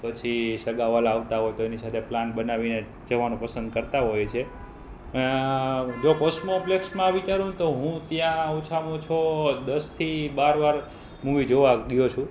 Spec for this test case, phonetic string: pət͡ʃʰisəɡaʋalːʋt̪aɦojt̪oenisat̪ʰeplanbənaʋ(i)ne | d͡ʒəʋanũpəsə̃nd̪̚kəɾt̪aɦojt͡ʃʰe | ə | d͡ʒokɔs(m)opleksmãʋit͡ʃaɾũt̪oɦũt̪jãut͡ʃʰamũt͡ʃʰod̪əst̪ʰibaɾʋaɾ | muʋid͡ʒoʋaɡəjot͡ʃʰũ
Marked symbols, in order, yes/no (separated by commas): yes, yes